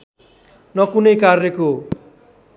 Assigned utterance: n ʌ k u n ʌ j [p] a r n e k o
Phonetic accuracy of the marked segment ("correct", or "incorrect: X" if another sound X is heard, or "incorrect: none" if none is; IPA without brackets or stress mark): incorrect: k